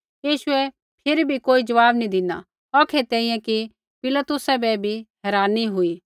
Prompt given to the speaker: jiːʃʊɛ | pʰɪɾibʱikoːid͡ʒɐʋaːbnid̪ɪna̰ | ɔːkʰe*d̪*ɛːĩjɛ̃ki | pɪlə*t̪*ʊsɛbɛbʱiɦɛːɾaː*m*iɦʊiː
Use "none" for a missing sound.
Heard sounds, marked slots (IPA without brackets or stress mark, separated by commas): t̪, t̪, n